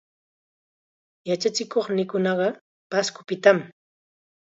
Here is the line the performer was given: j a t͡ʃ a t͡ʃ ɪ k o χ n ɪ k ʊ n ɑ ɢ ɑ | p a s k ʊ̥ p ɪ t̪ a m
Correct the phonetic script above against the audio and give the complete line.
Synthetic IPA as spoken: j a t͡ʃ a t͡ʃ ɪ k o χ n ɪ k ʊ n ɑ ɢ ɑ | p a s k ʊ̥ p ɪ t̪ a m

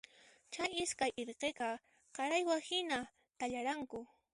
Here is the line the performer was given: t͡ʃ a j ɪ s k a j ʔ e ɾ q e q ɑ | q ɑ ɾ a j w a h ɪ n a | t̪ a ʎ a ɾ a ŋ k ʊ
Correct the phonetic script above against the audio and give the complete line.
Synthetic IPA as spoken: t͡ʃ a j ɪ s k a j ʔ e ɾ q e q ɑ | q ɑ ɾ a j w a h ɪ n a | t̪ a ʎ a ɾ a ŋ k ʊ

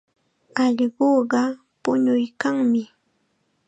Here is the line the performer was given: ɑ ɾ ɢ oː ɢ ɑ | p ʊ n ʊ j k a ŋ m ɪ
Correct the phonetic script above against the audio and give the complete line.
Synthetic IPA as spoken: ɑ ʎ ɢ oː ɢ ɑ | p ʊ ɲ ʊ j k a ŋ m ɪ

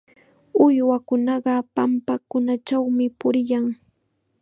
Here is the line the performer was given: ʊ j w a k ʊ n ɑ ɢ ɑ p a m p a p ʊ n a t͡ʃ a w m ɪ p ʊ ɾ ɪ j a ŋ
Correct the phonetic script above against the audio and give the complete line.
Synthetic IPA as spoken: ʊ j w a k ʊ n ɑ ɢ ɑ p a m p a k ʊ n a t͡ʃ a w m ɪ p ʊ ɾ ɪ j a ŋ

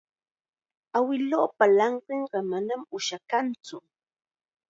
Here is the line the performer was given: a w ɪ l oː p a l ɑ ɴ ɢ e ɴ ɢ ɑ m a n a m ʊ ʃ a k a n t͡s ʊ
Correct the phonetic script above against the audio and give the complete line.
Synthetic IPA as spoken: a w ɪ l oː p a l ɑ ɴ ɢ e ɴ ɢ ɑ m a n a m ʊ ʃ a k a n t͡s ʊ

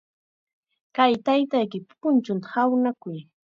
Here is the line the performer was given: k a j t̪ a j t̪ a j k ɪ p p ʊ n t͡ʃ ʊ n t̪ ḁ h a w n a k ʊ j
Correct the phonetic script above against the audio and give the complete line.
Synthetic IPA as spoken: k a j t̪ a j t̪ a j k ɪ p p ʊ n t͡ʃ ʊ n t̪ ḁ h a w n a k ʊ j

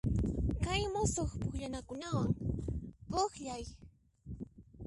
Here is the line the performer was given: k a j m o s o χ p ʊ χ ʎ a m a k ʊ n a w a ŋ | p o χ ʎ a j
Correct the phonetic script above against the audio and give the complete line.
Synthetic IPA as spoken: k a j m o s o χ p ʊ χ ʎ a n a k ʊ n a w a ŋ | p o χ ʎ a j

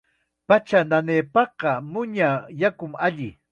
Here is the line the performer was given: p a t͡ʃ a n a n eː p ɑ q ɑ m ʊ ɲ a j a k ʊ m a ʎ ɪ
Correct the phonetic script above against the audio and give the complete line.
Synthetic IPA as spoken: p a t͡ʃ a n a n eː p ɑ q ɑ m ʊ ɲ a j a k ʊ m a ʎ ɪ

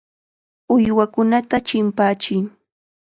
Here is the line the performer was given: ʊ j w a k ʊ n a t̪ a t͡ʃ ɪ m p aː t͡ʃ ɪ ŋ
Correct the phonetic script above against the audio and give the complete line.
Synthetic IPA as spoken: ʊ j w a k ʊ n a t̪ a t͡ʃ ɪ m p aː t͡ʃ ɪ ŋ

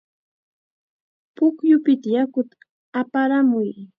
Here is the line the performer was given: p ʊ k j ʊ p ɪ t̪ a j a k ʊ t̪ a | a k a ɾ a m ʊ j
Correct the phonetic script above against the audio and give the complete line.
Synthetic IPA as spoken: p ʊ k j ʊ p ɪ t̪ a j a k ʊ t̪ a | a p a ɾ a m ʊ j

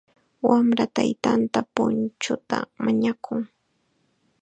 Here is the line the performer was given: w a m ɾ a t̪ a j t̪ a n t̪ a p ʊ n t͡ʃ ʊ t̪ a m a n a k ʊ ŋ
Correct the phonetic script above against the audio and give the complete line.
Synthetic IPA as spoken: w a m ɾ a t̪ a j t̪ a n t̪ a p ʊ n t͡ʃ ʊ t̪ a m a ɲ a k ʊ ŋ

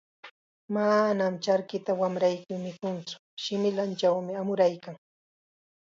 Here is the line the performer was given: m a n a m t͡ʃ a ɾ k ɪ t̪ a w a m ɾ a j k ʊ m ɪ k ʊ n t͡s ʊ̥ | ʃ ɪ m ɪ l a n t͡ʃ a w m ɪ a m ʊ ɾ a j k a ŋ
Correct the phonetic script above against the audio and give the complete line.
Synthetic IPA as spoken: m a n a m t͡ʃ a ɾ k ɪ t̪ a w a m ɾ a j k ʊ m ɪ k ʊ n t͡s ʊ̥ | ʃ ɪ m ɪ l a n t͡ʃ a w m ɪ a m ʊ ɾ a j k a ŋ

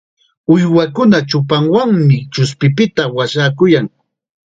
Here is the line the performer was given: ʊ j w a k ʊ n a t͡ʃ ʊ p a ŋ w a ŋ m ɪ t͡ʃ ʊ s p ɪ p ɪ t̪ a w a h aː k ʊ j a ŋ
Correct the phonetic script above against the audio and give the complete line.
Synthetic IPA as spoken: ʊ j w a k ʊ n a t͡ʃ ʊ p a ŋ w a ŋ m ɪ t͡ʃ ʊ s p ɪ p ɪ t̪ a w a ʃ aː k ʊ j a ŋ

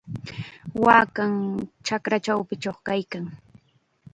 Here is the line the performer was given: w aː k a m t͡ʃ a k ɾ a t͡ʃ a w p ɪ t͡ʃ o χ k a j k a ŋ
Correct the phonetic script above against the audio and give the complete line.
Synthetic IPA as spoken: w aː k a ŋ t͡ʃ a k ɾ a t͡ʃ a w p ɪ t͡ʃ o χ k a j k a ŋ

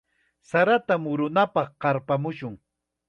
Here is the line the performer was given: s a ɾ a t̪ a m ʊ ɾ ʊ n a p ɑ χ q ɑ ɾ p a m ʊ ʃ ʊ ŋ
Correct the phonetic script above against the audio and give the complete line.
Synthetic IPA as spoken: s a ɾ a t̪ a m ʊ ɾ ʊ n a p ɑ χ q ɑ ɾ p a m ʊ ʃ ʊ ŋ

